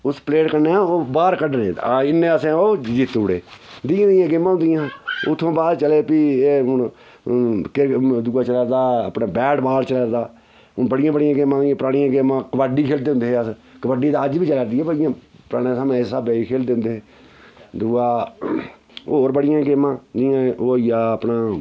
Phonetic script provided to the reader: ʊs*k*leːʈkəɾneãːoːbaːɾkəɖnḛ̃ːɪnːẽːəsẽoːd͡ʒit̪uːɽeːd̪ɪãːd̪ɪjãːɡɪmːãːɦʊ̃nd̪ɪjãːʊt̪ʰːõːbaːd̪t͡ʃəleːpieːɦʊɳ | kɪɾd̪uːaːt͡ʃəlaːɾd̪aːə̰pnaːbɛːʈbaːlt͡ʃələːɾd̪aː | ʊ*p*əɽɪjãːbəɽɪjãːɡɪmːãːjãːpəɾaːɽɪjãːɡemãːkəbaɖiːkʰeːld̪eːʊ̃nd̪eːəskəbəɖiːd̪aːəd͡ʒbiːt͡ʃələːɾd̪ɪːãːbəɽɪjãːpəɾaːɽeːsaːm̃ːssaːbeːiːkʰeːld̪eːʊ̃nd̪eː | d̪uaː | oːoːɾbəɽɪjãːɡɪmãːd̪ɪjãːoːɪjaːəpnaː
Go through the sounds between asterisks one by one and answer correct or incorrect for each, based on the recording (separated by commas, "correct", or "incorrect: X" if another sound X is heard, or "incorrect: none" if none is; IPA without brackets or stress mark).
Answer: incorrect: p, incorrect: b